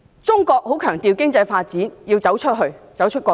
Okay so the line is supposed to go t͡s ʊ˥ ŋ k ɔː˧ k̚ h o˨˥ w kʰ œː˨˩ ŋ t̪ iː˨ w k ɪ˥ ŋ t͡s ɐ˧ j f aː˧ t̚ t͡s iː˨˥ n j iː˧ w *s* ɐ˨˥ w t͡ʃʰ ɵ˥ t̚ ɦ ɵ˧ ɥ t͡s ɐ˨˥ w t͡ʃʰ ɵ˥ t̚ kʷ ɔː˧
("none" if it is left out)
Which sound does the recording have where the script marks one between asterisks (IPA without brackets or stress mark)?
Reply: t͡s